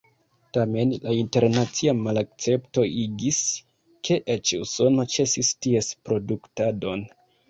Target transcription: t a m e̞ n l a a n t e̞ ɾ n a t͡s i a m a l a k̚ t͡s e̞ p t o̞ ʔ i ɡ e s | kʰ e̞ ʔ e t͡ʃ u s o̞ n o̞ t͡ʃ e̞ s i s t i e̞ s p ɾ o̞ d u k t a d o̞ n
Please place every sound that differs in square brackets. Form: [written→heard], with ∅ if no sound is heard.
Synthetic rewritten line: t a m e̞ n l a [a→i] n t e̞ ɾ n a t͡s i a m a l a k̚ t͡s e̞ p t o̞ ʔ i ɡ [e→i] s | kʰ e̞ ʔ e t͡ʃ u s o̞ n o̞ t͡ʃ e̞ s i s t i e̞ s p ɾ o̞ d u k t a d o̞ n